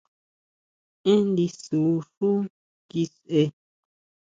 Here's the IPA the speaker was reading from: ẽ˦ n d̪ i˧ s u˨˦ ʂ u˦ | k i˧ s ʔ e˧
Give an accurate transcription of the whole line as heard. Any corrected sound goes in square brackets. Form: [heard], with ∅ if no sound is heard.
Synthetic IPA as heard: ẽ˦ n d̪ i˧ s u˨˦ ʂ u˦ | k i˧ s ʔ e˧